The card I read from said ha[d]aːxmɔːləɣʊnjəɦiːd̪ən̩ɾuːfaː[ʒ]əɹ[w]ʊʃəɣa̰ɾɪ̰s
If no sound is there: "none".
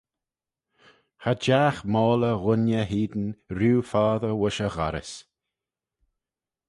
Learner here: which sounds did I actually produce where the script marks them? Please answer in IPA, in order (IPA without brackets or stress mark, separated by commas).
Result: d͡ʒ, ð, w